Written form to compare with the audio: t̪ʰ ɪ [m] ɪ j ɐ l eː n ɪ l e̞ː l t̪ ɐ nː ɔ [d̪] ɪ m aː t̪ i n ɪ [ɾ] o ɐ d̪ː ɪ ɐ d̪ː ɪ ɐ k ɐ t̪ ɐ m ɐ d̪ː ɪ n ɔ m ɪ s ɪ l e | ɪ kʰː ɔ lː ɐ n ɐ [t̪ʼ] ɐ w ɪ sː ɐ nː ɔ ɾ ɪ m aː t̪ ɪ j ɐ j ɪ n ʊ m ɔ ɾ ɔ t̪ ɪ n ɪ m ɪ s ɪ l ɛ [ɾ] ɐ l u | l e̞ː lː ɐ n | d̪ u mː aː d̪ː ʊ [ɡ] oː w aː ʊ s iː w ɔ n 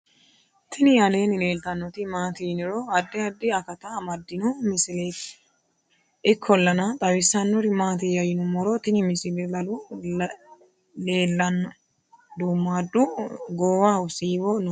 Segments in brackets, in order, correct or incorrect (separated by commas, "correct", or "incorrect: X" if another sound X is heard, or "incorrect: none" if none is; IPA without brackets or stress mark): incorrect: n, incorrect: t̪, correct, correct, incorrect: l, correct